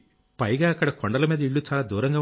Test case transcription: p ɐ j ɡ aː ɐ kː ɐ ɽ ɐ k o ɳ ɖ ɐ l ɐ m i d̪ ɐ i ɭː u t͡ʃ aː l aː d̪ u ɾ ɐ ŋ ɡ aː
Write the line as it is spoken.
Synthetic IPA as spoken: p ɐ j ɡ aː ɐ kː ɐ ɽ ɐ k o ɳ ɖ ɐ l ɐ m iː d̪ ɐ i ɭː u t͡ʃ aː l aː d̪ uː ɾ ɐ ŋ ɡ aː